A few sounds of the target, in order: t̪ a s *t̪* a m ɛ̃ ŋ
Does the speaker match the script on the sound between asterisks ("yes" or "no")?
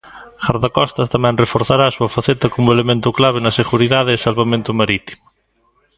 yes